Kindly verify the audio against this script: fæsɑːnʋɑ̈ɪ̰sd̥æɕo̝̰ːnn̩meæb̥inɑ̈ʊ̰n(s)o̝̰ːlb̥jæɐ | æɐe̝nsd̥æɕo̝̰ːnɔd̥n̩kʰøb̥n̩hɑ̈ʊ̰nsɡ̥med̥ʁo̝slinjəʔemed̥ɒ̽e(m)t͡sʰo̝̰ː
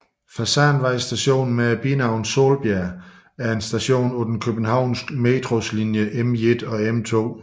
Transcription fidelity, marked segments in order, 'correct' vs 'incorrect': correct, correct

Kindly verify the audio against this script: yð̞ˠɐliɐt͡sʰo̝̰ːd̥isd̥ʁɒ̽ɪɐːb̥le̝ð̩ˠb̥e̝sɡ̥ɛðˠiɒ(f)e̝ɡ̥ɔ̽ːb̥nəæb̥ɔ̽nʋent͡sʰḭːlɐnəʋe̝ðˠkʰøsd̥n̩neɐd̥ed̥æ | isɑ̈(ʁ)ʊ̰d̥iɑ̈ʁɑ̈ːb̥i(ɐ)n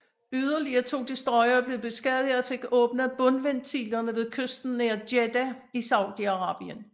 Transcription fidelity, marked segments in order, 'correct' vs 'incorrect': correct, incorrect: none, incorrect: ə

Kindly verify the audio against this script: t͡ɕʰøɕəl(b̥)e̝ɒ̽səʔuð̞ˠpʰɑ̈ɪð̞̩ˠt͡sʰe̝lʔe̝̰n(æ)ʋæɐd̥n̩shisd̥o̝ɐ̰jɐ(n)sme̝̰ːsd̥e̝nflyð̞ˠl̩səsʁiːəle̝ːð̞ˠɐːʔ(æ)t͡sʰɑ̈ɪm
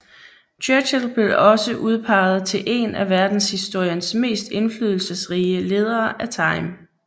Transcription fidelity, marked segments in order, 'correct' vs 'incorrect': correct, correct, correct, correct

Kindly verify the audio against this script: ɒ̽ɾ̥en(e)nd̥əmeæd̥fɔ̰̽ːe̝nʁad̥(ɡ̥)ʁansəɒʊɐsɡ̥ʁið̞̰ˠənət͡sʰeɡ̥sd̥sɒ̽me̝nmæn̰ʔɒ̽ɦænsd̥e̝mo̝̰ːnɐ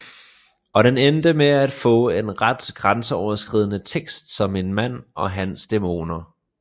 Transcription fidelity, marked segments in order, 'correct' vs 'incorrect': correct, correct

